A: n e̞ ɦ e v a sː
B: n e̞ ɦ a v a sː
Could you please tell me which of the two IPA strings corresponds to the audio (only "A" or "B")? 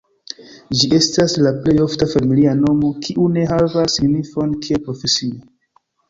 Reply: B